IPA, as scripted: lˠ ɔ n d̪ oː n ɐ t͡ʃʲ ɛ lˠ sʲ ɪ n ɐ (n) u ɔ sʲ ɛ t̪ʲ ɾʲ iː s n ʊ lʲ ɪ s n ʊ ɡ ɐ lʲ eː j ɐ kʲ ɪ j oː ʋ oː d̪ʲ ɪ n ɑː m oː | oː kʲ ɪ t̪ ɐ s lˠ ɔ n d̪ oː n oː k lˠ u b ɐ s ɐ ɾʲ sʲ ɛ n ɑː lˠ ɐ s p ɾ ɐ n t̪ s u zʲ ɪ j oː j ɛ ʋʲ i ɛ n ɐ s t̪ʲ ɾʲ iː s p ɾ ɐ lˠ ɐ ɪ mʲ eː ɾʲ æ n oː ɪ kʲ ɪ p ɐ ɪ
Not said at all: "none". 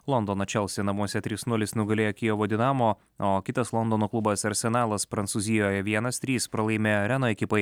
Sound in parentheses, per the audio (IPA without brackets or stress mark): m